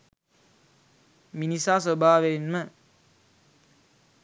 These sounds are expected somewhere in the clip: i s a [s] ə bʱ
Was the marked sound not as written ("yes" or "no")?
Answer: no